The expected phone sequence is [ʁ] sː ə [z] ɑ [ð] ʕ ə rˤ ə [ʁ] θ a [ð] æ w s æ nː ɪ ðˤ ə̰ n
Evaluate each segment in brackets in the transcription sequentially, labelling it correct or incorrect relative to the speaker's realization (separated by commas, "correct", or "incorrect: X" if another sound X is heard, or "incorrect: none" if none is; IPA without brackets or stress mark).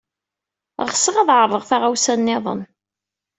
correct, incorrect: ʁ, correct, correct, incorrect: ʁ